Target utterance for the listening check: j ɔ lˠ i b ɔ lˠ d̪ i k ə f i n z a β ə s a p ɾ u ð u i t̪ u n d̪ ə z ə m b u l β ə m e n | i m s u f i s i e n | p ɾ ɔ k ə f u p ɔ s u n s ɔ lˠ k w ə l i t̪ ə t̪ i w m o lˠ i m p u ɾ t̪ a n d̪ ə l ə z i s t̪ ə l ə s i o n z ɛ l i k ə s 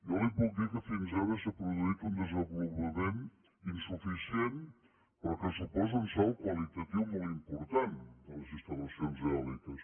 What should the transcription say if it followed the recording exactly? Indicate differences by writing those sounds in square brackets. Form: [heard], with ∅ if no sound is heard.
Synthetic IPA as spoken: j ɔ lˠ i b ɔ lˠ d̪ i k ə f i n z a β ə s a p ɾ u ð u i t̪ u n d̪ ə z ə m b u l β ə m e n | i [n] s u f i s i e n | p ɾ ɔ k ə [s] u p ɔ [z] u n s ɔ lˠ k w ə l i t̪ ə t̪ i w m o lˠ i m p u ɾ t̪ a n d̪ ə l ə z i s t̪ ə l ə s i o n z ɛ l i k ə s